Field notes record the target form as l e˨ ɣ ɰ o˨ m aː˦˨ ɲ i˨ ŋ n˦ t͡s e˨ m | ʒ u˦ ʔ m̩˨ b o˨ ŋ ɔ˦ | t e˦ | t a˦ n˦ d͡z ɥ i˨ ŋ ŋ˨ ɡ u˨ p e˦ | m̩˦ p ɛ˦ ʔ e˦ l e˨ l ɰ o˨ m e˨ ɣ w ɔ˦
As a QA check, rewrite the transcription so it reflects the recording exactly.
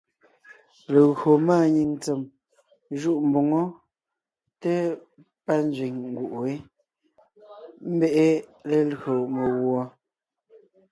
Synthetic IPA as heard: l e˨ ɣ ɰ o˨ m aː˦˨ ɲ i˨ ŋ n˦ t͡s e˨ m | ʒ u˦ ʔ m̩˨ b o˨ ŋ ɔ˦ | t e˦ | p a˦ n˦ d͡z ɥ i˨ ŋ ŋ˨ ɡ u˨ ʔ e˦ | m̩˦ b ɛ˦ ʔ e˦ l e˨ l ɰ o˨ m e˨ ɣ w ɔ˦